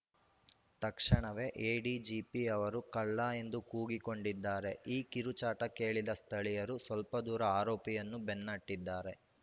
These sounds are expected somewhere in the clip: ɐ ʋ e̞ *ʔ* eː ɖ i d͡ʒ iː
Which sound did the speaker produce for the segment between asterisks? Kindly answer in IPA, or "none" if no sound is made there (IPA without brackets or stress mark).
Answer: ʔ